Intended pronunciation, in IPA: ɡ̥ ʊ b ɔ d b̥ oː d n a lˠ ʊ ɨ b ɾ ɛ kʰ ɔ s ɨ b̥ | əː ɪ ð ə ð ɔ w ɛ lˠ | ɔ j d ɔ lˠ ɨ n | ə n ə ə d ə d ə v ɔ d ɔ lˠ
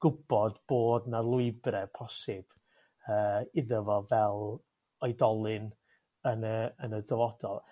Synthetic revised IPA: ɡ̥ ʊ b ɔ d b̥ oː d n a lˠ ʊ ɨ b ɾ ɛ pʰ ɔ s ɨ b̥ | əː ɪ ð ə v ɔ v ɛ lˠ | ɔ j d ɔ lˠ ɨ n | ə n ə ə n ə d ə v ɔ d ɔ lˠ